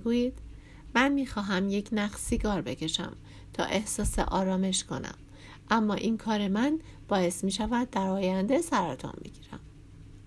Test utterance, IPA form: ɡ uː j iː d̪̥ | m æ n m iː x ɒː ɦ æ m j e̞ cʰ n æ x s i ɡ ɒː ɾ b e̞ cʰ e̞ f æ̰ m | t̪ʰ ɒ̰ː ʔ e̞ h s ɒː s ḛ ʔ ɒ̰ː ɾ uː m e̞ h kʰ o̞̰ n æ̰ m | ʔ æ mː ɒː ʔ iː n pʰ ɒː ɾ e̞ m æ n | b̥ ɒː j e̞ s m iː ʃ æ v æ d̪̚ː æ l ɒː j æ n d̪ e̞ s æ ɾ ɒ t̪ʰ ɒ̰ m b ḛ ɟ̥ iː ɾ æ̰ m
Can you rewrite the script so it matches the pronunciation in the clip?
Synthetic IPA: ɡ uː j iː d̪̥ | m æ n m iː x ɒː ɦ æ m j e̞ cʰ n æ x s i ɡ ɒː ɾ b e̞ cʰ e̞ ʃ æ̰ m | t̪ʰ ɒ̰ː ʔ e̞ h s ɒː s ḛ ʔ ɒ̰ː ɾ ɒː m e̞ ʃ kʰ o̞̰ n æ̰ m | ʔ æ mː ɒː ʔ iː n kʰ ɒː ɾ e̞ m æ n | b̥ ɒː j e̞ s m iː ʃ æ v æ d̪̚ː æ ɾ ɒː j æ n d̪ e̞ s æ ɾ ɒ t̪ʰ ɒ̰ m b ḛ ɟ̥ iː ɾ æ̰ m